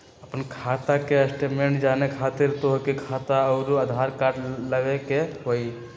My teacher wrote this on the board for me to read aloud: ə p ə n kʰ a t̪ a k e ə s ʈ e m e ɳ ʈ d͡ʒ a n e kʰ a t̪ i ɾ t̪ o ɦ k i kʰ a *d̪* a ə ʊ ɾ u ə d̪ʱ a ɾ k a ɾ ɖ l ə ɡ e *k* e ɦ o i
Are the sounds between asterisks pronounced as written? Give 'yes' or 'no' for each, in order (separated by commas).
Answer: no, yes